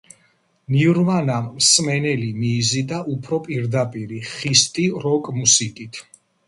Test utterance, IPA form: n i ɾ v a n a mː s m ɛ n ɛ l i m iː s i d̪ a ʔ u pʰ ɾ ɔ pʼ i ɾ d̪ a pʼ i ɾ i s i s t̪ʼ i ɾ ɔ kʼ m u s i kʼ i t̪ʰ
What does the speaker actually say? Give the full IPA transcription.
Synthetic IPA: n i ɾ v a n a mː s m ɛ n ɛ l i m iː z i d̪ a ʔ u pʰ ɾ ɔ pʼ i ɾ d̪ a pʼ i ɾ i χ i s t̪ʼ i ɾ ɔ kʼ m u s i kʼ i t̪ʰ